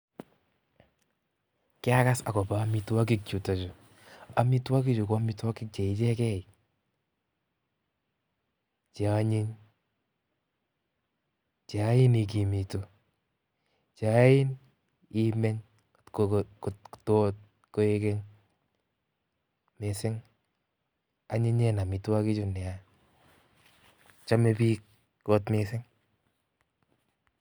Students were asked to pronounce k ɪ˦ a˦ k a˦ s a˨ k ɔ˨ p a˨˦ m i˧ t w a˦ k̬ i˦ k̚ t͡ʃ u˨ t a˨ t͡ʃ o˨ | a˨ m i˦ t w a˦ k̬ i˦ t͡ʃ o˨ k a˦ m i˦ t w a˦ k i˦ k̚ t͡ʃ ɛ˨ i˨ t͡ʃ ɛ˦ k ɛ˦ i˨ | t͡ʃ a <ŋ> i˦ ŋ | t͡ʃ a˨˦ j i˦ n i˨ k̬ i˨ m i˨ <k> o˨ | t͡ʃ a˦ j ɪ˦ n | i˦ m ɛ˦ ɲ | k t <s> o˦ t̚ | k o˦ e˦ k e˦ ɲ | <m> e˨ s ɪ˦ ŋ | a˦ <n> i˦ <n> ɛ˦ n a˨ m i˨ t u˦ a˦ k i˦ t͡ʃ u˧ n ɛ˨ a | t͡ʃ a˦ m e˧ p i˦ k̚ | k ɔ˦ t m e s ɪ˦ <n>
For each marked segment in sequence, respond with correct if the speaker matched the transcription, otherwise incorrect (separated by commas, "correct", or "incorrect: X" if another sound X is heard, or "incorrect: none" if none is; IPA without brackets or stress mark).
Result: incorrect: ɲ, incorrect: t, incorrect: t, correct, incorrect: ɲ, incorrect: ɲ, incorrect: ŋ